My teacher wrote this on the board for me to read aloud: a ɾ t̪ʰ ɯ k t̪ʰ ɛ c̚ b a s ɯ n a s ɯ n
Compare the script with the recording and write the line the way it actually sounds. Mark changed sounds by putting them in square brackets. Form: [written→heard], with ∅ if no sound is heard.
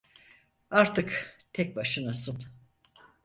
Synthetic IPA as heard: a ɾ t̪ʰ ɯ k t̪ʰ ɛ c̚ b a [s→ʃ] ɯ n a s ɯ n